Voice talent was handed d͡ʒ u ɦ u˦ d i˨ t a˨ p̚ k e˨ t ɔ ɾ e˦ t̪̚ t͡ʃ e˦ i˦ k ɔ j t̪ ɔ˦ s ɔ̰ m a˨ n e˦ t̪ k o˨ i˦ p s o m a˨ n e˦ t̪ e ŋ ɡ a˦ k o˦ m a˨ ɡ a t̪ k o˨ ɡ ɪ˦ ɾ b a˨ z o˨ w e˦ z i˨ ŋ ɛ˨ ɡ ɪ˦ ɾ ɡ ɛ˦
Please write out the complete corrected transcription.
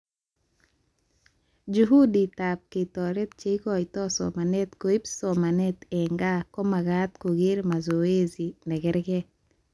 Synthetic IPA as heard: d͡ʒ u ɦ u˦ d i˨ t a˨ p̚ k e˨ t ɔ ɾ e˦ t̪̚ t͡ʃ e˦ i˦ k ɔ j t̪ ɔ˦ s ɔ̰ m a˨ n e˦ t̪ k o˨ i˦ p s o m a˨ n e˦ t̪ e ŋ ɡ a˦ k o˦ m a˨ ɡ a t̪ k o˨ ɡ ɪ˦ ɾ m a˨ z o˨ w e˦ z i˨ n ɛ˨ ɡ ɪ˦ ɾ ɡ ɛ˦